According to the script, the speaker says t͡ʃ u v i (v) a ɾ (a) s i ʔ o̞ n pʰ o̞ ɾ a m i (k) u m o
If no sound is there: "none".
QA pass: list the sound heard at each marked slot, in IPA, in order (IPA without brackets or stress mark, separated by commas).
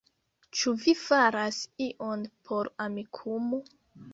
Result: f, a, kʰ